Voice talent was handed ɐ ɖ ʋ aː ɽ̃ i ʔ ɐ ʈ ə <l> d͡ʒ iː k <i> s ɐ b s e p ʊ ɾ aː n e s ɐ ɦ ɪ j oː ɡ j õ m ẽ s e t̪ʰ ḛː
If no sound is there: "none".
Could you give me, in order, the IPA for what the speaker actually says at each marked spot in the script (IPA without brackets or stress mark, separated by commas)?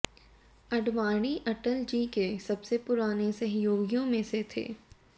l, e